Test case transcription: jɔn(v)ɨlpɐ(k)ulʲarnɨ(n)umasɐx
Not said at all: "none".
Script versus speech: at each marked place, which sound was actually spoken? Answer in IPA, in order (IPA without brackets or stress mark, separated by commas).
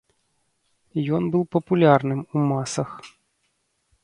b, p, m